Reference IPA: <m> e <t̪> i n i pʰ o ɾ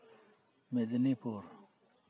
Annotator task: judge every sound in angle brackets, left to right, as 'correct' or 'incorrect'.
correct, incorrect

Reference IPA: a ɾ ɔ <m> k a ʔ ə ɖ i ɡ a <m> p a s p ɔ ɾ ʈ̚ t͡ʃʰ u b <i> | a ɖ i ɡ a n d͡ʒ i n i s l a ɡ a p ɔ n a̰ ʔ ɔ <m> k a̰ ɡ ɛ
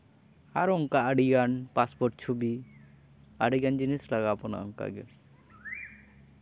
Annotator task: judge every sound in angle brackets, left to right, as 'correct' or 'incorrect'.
incorrect, incorrect, correct, incorrect

